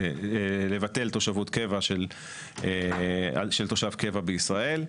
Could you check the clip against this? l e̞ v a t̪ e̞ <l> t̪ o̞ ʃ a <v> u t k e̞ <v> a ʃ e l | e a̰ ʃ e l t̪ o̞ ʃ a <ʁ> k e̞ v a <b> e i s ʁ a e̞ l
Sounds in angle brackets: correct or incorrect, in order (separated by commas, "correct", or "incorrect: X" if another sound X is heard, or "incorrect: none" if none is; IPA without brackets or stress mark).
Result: correct, correct, correct, incorrect: v, correct